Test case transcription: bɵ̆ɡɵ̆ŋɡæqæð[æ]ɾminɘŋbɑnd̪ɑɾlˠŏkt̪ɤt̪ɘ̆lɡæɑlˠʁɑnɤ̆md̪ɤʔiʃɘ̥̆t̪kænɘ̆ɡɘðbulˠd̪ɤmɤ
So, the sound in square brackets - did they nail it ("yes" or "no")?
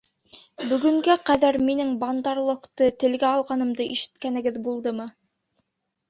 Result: yes